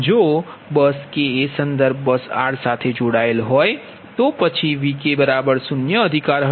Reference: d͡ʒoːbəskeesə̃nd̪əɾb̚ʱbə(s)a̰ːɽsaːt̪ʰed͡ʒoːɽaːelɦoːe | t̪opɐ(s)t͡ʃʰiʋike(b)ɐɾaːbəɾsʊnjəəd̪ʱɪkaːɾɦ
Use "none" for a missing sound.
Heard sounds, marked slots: s, none, b

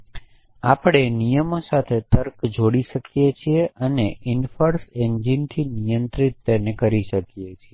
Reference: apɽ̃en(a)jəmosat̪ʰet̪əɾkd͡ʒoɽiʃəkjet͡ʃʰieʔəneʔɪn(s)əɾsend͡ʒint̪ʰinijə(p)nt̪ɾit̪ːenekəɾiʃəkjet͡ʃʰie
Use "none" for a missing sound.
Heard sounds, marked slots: i, f, none

